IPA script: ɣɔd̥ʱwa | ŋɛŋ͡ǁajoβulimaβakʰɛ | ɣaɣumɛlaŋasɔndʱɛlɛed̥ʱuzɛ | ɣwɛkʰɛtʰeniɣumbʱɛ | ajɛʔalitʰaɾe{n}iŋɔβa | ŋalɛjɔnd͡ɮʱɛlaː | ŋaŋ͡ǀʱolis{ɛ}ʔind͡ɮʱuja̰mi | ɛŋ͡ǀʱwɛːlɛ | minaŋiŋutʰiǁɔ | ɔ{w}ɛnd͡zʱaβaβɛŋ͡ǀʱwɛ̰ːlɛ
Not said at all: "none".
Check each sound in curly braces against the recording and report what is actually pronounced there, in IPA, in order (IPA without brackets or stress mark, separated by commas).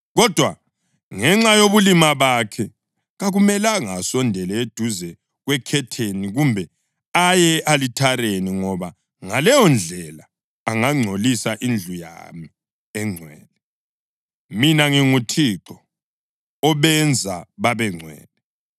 n, a, β